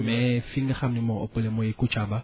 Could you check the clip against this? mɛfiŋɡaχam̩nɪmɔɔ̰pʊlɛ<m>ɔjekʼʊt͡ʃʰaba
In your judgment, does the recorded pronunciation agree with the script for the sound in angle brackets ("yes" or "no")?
yes